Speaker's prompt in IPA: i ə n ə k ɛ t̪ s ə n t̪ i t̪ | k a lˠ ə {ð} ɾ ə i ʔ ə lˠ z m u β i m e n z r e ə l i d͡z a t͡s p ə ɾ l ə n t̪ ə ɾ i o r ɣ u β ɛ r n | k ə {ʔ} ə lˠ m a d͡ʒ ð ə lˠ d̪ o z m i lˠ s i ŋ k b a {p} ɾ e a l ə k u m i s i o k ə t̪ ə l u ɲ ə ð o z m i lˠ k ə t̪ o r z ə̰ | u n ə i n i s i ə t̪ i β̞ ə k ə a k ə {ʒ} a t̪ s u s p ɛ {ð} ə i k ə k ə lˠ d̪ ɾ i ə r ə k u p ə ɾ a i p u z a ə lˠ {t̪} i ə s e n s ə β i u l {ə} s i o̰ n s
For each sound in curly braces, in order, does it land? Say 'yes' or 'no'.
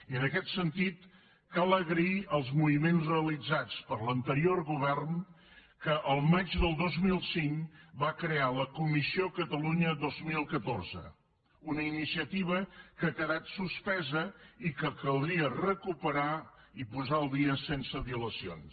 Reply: no, yes, no, no, no, no, yes

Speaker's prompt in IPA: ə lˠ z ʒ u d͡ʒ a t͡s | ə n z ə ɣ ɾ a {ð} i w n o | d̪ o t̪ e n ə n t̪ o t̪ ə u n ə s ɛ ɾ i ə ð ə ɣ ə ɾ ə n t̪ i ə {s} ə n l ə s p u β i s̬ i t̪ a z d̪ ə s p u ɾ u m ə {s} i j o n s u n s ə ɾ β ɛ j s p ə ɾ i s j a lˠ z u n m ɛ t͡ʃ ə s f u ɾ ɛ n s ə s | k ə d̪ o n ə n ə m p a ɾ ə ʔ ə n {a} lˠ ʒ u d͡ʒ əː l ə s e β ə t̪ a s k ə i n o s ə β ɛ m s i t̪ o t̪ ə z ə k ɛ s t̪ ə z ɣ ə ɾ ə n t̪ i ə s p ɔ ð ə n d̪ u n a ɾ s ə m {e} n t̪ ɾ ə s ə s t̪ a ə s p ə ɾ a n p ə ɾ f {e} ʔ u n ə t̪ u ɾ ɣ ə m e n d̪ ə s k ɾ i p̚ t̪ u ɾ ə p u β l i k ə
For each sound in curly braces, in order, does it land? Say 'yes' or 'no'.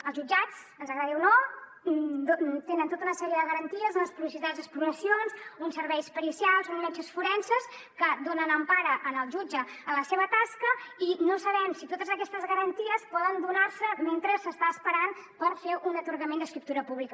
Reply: yes, no, yes, no, yes, yes

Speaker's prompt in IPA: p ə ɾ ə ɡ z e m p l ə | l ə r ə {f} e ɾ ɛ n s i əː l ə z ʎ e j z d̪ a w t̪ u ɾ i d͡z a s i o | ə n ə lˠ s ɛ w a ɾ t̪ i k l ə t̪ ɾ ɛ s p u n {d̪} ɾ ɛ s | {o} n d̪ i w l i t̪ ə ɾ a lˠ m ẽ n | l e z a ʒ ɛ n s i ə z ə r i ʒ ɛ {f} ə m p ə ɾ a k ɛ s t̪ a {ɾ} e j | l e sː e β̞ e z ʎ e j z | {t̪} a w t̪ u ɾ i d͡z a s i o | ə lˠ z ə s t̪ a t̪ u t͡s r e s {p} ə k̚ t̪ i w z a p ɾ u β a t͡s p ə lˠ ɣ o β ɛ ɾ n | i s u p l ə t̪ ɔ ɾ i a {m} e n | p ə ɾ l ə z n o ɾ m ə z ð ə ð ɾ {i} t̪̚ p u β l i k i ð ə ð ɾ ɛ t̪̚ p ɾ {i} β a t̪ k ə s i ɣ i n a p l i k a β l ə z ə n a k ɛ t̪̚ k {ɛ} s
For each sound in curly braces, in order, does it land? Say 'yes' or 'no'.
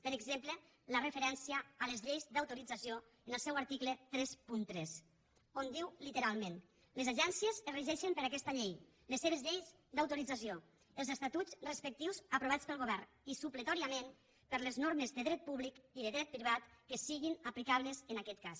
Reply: yes, no, yes, no, no, no, yes, yes, no, yes, no

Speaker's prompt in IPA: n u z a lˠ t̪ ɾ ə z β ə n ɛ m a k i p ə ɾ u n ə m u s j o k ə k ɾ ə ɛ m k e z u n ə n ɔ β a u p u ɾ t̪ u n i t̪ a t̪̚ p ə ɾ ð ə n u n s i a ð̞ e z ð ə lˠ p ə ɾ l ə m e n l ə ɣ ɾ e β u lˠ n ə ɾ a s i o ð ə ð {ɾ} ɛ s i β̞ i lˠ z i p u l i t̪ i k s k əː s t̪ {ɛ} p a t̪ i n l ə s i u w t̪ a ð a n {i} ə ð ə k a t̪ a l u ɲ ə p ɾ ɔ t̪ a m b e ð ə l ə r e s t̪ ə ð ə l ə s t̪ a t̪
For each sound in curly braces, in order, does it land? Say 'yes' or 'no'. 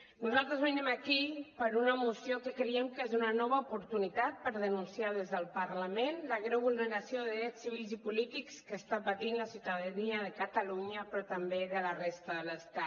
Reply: yes, no, yes

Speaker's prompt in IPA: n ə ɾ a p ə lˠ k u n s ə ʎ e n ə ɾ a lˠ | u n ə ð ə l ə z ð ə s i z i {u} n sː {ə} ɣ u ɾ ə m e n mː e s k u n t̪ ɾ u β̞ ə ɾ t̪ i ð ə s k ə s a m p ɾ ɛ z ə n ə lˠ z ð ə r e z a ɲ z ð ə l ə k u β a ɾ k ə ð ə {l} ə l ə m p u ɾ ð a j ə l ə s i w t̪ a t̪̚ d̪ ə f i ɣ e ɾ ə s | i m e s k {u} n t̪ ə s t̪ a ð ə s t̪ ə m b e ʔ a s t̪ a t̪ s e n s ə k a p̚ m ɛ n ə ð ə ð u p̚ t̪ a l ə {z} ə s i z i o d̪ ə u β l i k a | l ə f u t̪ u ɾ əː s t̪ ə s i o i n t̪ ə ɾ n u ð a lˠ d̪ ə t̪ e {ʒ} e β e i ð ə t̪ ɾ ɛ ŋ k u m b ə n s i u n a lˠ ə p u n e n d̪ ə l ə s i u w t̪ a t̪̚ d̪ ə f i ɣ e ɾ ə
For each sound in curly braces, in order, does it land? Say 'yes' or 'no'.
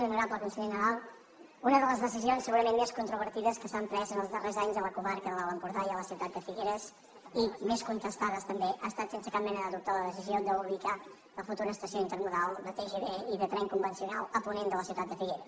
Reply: no, yes, yes, yes, no, yes

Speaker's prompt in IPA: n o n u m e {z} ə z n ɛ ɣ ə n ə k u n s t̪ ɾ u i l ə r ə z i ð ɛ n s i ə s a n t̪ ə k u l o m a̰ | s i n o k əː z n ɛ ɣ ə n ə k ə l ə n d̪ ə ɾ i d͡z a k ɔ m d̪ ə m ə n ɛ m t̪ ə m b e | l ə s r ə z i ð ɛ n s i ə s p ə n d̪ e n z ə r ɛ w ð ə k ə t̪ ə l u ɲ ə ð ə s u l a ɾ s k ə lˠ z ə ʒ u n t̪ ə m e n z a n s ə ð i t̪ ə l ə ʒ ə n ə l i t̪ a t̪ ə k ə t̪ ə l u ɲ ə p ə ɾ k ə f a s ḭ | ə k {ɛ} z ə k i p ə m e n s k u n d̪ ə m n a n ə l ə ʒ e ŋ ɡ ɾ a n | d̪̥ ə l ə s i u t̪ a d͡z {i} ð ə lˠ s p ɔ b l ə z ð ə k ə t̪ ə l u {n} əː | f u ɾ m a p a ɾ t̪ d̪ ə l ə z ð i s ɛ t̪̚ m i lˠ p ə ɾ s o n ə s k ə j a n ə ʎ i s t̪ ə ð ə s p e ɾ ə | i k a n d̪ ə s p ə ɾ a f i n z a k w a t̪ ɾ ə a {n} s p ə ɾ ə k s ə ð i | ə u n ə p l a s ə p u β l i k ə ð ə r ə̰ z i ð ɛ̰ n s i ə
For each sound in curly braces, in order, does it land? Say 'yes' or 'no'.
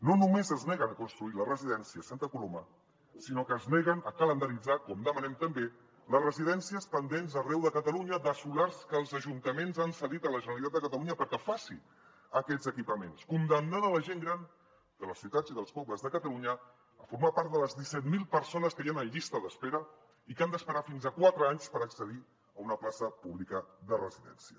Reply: yes, yes, yes, no, no

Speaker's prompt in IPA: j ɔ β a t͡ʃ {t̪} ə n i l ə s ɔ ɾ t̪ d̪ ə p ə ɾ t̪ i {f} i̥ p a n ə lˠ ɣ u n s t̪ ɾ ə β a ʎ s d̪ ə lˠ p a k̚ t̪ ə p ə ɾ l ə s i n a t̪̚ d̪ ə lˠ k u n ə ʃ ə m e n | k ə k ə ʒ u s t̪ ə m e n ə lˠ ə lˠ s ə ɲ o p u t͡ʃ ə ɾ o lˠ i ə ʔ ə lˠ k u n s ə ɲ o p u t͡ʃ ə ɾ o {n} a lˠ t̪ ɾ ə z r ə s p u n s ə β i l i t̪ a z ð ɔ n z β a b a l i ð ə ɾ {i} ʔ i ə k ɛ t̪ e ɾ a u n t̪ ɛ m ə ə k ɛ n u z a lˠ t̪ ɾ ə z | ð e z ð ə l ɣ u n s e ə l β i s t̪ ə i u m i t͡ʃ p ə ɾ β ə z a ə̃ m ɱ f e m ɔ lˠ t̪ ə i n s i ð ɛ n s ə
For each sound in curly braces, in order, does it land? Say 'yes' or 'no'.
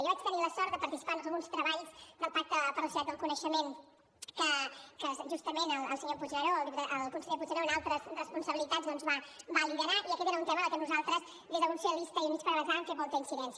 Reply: yes, no, yes, no

